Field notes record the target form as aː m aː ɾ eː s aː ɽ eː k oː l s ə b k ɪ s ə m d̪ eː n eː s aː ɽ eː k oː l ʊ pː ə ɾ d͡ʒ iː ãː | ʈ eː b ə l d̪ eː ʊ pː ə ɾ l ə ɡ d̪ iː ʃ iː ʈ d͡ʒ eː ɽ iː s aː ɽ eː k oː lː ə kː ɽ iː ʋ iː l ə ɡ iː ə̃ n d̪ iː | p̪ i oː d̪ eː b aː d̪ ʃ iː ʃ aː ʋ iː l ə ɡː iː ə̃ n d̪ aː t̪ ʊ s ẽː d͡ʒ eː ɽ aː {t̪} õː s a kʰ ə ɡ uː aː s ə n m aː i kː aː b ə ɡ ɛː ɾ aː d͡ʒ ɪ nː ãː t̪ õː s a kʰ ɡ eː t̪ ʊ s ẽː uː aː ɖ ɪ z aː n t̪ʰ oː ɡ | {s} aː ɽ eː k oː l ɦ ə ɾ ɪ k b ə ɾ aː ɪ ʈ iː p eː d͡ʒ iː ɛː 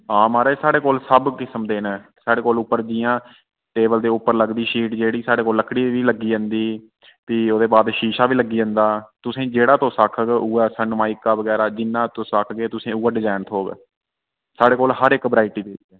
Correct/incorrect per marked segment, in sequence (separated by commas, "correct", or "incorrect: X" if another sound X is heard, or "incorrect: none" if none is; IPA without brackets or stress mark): correct, correct